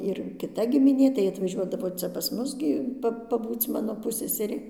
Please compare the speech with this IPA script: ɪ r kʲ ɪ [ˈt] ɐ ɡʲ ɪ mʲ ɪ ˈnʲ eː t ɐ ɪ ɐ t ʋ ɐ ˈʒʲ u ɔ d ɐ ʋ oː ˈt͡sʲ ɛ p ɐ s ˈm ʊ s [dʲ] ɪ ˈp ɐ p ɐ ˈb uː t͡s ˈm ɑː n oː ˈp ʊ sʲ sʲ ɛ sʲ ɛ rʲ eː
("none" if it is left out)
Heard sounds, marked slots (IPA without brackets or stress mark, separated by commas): t, ɡʲ